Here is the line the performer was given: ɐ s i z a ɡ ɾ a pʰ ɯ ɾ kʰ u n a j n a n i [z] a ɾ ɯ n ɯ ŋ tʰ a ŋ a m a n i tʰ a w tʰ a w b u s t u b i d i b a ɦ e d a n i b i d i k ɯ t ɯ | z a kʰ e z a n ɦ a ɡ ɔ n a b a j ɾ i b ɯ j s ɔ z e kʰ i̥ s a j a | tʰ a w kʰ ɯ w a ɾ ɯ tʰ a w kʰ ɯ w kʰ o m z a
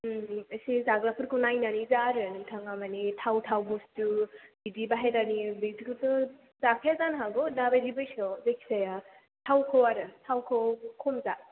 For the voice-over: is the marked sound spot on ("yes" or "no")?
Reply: yes